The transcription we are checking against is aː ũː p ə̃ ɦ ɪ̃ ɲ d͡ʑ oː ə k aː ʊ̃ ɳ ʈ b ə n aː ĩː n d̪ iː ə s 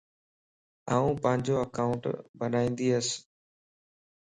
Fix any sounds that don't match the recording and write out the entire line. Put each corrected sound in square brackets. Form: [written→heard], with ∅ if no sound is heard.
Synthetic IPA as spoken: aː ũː p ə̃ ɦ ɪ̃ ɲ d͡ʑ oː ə k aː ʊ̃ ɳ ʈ b ə n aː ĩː n d̪ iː ə s